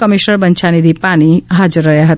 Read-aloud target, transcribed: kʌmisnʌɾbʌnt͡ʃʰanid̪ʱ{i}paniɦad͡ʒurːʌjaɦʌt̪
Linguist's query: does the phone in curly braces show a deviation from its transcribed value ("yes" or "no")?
no